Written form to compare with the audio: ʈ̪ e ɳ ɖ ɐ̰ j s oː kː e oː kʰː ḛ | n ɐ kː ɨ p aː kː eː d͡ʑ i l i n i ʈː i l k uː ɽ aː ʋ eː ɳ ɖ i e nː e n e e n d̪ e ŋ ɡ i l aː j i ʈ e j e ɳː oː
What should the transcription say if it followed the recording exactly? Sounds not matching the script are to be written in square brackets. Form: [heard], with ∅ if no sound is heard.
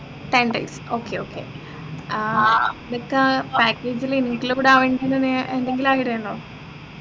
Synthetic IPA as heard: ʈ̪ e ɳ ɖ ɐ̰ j s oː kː e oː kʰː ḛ | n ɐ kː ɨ p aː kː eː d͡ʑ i l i n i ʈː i l k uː ɽ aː ʋ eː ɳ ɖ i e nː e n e e n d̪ e ŋ ɡ i l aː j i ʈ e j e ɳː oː